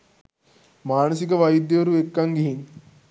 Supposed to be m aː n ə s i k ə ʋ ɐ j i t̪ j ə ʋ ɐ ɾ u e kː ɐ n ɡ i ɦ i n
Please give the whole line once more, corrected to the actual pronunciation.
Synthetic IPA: m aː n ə s i k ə ʋ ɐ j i d̪ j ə ʋ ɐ ɾ u e kː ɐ ŋ ɡ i ɦ i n